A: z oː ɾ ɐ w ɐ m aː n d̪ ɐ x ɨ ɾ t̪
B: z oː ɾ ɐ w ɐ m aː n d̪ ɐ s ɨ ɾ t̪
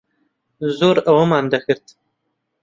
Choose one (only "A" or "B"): A